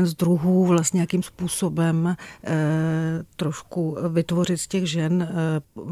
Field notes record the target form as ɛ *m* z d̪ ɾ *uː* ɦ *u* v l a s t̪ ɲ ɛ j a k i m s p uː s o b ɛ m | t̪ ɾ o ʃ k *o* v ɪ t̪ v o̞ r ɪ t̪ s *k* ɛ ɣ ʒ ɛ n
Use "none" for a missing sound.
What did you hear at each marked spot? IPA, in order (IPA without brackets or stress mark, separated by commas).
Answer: n, u, uː, u, c